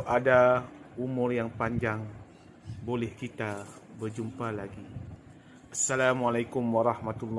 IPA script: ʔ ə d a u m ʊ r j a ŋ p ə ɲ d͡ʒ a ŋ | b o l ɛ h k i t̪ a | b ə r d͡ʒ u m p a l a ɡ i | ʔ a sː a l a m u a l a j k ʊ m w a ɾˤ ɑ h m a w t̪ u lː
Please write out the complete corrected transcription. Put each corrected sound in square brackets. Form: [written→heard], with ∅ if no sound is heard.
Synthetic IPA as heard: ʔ [ə→a] d a u m ʊ r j a ŋ p [ə→a] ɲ d͡ʒ a ŋ | b o l ɛ h k i t̪ a | b ə r d͡ʒ u m p a l a ɡ i | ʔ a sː a l a m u a l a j k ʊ m w a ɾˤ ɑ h m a [w→∅] t̪ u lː